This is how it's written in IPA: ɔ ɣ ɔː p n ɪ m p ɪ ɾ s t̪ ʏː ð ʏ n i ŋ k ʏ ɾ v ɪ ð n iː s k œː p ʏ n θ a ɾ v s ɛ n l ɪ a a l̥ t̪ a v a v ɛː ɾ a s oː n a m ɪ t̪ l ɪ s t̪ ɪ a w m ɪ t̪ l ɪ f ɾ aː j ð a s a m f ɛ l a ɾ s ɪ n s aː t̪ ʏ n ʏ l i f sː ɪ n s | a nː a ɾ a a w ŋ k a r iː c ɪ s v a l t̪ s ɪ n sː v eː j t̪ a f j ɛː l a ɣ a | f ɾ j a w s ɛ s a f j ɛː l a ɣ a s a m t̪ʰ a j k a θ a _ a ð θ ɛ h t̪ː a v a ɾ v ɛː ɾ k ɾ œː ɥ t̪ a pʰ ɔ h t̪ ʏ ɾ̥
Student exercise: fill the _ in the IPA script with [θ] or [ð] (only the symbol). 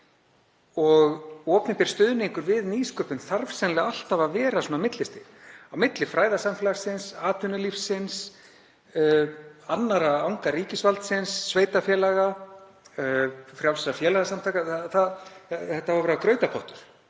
θ